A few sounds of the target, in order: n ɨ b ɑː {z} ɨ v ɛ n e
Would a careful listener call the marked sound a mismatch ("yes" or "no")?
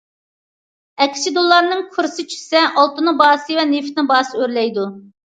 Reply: yes